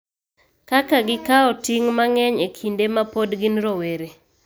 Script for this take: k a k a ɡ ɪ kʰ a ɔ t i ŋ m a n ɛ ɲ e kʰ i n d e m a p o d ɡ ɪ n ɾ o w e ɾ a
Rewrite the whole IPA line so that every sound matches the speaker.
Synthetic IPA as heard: k a k a ɡ ɪ k a ɔ t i ŋ m a ŋ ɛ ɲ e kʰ i n d e m a p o d ɡ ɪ n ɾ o w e ɾ e